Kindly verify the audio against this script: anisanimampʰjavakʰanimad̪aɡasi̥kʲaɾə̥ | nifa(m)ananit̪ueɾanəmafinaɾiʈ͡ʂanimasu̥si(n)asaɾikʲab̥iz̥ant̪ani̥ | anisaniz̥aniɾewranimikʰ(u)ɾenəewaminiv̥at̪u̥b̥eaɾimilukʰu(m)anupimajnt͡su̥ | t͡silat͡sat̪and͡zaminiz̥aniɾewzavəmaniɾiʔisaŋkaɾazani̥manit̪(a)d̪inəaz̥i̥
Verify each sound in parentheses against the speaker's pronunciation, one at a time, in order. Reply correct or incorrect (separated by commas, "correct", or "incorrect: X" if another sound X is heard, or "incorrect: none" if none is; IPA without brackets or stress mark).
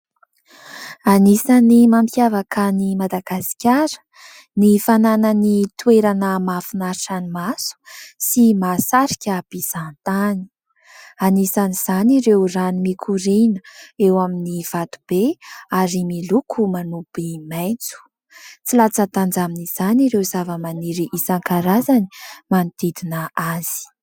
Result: incorrect: n, incorrect: m, correct, correct, incorrect: i